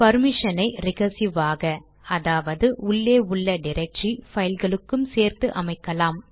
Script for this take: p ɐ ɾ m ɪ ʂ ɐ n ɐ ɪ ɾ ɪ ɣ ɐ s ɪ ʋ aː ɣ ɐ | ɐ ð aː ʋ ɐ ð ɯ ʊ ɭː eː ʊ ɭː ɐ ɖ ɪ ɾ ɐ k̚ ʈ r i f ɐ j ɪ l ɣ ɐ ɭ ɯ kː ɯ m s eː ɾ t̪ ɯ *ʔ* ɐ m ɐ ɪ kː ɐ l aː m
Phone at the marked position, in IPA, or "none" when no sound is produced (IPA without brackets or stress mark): ʔ